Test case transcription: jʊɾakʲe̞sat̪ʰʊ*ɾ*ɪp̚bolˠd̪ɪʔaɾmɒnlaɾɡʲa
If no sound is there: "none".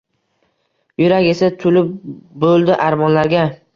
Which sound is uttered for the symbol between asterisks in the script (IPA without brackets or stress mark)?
l